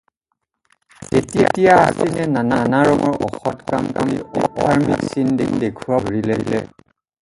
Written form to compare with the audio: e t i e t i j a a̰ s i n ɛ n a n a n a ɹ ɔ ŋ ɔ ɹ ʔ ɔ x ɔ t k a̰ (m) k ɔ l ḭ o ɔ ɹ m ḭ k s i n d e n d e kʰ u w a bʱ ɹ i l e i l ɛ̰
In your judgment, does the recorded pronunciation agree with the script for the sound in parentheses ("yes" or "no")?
yes